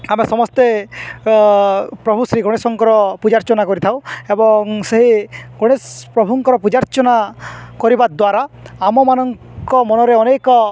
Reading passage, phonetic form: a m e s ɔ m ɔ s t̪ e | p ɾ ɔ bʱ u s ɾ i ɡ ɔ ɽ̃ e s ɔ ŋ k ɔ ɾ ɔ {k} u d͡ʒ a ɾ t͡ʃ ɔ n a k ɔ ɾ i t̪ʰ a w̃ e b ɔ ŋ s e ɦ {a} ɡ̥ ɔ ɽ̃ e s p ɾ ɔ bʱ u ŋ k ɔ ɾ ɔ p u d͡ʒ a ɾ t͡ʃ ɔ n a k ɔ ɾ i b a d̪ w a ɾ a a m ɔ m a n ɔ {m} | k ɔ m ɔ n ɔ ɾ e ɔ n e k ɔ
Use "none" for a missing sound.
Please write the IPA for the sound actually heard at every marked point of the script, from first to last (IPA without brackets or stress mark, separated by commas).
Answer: p, i, ŋ